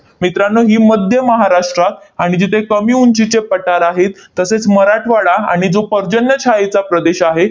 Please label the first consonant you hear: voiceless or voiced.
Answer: voiced